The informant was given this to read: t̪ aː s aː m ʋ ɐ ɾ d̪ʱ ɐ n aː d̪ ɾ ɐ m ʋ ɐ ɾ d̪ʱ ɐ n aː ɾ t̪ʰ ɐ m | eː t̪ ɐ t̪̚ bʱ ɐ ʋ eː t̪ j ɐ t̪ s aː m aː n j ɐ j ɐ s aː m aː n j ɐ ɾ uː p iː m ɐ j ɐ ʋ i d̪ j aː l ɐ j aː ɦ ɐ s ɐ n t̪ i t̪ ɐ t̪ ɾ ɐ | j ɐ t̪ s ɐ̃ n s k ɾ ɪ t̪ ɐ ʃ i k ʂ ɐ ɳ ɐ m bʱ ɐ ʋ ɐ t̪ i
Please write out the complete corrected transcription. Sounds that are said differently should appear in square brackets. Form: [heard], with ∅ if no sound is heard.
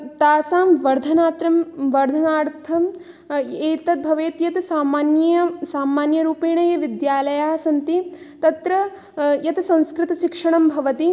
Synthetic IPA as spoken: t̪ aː s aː m ʋ ɐ ɾ d̪ʱ ɐ n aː [t̪] ɾ ɐ m ʋ ɐ ɾ d̪ʱ ɐ n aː ɾ t̪ʰ ɐ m | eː t̪ ɐ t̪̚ bʱ ɐ ʋ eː t̪ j ɐ t̪ s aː m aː n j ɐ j ɐ s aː m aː n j ɐ ɾ uː p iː [ɳ] ɐ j ɐ ʋ i d̪ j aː l ɐ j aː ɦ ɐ s ɐ n t̪ i t̪ ɐ t̪ ɾ ɐ | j ɐ t̪ s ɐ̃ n s k ɾ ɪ t̪ ɐ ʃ i k ʂ ɐ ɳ ɐ m bʱ ɐ ʋ ɐ t̪ i